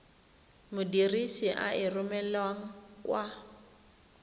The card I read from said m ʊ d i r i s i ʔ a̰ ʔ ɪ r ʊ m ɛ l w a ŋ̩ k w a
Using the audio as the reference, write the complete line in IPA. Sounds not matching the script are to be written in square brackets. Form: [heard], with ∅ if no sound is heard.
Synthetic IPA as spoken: m ʊ d i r i s i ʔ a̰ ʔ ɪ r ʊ m ɛ l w a ŋ̩ k w a